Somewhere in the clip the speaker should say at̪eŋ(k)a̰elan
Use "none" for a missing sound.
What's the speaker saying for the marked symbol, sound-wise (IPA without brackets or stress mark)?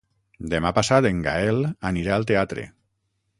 ɡ